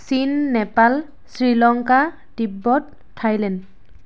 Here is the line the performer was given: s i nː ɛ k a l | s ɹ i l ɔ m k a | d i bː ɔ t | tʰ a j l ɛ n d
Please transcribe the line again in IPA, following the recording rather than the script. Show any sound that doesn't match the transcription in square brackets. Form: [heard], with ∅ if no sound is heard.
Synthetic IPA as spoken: s i nː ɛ [p] a l | s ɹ i l ɔ [ŋ] k a | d i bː ɔ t | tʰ a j l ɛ n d